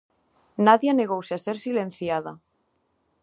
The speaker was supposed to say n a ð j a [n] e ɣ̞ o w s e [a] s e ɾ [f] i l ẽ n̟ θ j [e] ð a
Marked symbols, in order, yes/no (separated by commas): yes, yes, no, no